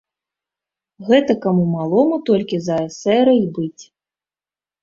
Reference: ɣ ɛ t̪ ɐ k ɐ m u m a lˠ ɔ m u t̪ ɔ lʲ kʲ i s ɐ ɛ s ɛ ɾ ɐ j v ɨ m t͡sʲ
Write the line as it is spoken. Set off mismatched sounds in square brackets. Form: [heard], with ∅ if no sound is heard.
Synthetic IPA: ɣ ɛ t̪ ɐ k [a] m u m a lˠ ɔ m u t̪ ɔ lʲ kʲ i [z] ɐ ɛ s ɛ ɾ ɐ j [b] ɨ [∅] t͡sʲ